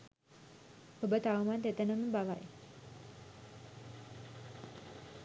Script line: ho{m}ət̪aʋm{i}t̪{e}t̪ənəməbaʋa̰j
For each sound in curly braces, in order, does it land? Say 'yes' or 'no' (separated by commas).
no, no, yes